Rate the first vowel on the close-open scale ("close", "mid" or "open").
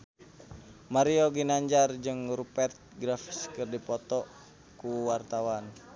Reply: open